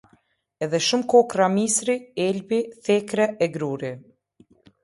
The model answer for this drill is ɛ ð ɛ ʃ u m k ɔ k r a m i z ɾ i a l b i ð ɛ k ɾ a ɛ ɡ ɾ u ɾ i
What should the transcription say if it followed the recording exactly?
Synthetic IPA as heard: ɛ ð ɛ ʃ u m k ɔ k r a m i s ɾ i ɛ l b i θ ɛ k ɾ ɛ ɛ ɡ ɾ u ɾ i

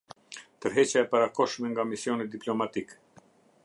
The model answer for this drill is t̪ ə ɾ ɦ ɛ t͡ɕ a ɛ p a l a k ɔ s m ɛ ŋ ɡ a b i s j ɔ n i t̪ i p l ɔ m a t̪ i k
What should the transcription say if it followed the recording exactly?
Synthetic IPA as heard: t̪ ə ɾ ɦ ɛ t͡ɕ a ɛ p a ɾ a k ɔ ʃ m ɛ ŋ ɡ a m i s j ɔ n i d̪ i p l ɔ m a t̪ i k

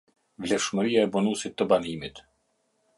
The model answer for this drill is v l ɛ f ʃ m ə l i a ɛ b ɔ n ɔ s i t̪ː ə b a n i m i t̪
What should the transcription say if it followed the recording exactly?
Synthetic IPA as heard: v l ɛ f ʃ m ə ɾ i a ɛ b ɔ n u s i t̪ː ə b a n i m i t̪

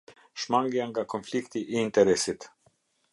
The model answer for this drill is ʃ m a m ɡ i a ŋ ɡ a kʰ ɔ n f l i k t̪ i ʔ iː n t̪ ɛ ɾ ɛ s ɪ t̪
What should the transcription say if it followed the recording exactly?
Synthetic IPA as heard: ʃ m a ŋ ɡ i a ŋ ɡ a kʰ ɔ n f l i k t̪ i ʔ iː n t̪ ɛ ɾ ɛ s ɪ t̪

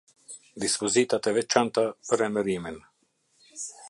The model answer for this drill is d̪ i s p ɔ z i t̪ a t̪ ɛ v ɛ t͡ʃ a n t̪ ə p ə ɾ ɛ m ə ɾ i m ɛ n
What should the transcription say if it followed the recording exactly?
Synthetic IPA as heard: d̪ i s p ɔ z i t̪ a t̪ ɛ v ɛ t͡ʃ a n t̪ a p ə ɾ ɛ m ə ɾ i m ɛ n

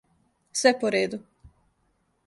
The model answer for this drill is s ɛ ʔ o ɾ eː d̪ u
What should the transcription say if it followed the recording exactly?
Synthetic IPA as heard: s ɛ p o ɾ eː d̪ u

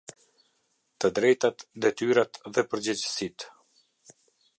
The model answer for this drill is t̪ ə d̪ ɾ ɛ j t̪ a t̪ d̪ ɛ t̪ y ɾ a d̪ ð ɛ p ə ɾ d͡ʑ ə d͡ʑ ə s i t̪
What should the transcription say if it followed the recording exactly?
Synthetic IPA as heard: t̪ ə d̪ ɾ ɛ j t̪ a t̪ d̪ ɛ t̪ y ɾ a t̪ ð ɛ p ə ɾ d͡ʑ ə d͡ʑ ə s i t̪

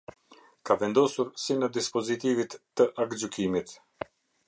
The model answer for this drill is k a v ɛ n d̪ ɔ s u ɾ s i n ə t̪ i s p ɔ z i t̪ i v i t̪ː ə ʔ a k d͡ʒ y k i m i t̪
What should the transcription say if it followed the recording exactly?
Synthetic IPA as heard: k a v ɛ n d̪ ɔ s u ɾ s i n ə d̪ i s p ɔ z i t̪ i v i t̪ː ə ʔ a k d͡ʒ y k i m i t̪

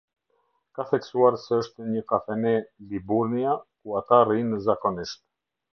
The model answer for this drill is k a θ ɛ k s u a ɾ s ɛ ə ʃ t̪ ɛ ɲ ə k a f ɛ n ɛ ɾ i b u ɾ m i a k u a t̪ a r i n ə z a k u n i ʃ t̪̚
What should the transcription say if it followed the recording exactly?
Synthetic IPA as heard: k a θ ɛ k s u a ɾ s ɛ ə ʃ t̪ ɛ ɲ ə k a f ɛ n ɛ l i b u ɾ n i a k u a t̪ a r i n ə z a k ɔ n i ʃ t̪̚

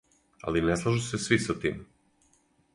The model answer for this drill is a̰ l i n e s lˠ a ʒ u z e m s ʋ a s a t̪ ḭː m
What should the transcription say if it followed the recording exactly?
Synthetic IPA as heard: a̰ l i n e s lˠ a ʒ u s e s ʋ i s a t̪ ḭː m

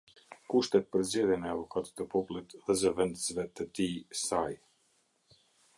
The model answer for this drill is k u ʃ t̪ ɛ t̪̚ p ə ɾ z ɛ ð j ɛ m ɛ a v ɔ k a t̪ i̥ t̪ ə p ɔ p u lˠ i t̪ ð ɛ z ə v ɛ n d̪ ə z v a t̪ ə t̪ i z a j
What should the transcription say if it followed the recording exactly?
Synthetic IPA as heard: k u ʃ t̪ ɛ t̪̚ p ə ɾ z ɛ ð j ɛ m ɛ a v ɔ k a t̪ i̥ t̪ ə p ɔ p u lˠ i t̪ ð ɛ z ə v ɛ n d̪ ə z v ɛ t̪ ə t̪ i s a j

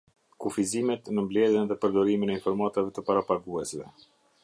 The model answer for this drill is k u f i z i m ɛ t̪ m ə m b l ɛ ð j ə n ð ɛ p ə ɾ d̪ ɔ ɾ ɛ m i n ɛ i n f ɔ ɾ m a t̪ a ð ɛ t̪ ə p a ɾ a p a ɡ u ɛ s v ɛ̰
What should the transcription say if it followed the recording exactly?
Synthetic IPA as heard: k u f i z i m ɛ t̪ n ə m b l ɛ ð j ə n ð ɛ p ə ɾ d̪ ɔ ɾ i m i n ɛ i n f ɔ ɾ m a t̪ a v ɛ t̪ ə p a ɾ a p a ɡ u ɛ s v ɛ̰

